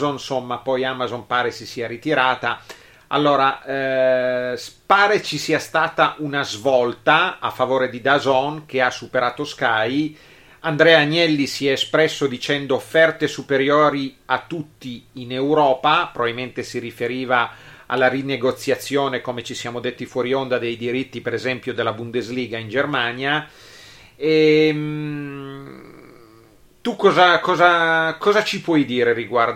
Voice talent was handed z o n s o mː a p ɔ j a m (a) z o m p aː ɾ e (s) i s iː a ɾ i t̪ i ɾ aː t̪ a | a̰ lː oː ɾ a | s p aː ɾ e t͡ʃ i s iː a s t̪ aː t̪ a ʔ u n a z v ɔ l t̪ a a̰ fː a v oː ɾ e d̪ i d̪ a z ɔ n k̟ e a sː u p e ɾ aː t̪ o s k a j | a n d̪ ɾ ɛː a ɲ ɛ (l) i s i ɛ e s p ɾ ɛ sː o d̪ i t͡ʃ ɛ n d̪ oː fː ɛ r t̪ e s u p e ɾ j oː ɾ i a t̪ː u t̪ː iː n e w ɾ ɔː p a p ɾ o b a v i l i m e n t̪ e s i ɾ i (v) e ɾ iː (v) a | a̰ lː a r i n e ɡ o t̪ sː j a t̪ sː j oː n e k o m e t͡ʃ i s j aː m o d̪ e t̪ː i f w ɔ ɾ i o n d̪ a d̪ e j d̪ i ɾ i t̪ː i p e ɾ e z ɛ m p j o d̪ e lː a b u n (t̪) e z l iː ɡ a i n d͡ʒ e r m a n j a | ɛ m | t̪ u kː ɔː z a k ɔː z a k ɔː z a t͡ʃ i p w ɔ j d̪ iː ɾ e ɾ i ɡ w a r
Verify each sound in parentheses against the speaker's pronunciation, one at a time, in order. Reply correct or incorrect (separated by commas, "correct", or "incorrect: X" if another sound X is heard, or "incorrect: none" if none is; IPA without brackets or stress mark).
correct, correct, incorrect: lː, incorrect: f, correct, incorrect: d̪